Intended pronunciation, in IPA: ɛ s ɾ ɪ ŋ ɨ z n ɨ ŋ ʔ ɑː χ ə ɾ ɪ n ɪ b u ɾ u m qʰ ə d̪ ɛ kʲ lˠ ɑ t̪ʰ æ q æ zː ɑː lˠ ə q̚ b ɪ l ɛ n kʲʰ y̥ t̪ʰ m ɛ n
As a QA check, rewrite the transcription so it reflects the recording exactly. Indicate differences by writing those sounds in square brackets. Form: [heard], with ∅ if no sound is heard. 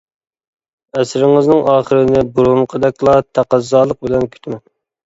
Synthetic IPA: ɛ s ɾ ɪ ŋ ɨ z n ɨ ŋ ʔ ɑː χ ə ɾ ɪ n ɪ b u ɾ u m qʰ ə d̪ ɛ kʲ lˠ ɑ t̪ʰ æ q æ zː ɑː lˠ ə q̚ b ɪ l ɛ n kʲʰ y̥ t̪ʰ m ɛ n